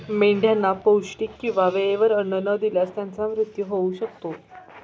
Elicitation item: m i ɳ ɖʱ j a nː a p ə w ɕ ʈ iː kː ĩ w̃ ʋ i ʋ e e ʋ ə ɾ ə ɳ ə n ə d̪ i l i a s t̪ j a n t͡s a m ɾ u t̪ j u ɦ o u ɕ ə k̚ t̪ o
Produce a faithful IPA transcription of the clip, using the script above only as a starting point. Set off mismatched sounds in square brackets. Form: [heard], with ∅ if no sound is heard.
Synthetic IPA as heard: m [e] ɳ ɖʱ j a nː a p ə w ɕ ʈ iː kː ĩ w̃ ʋ [a] ʋ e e ʋ ə ɾ ə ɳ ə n ə d̪ i l [j] a s t̪ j a n t͡s a m ɾ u t̪ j u ɦ o u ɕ ə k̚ t̪ o